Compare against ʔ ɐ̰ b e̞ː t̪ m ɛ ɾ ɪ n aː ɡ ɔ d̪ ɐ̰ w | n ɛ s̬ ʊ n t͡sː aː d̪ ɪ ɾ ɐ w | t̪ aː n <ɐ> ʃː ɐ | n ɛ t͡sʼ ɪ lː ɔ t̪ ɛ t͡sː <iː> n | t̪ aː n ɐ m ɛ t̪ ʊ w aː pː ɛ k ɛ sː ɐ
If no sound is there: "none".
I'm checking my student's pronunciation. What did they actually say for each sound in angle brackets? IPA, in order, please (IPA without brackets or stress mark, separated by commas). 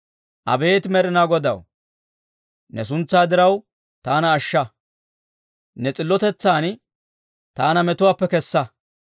ɐː, aː